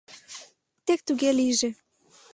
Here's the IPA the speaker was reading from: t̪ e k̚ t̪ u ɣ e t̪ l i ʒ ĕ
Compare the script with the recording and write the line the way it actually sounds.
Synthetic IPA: t̪ e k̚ t̪ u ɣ e l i ʒ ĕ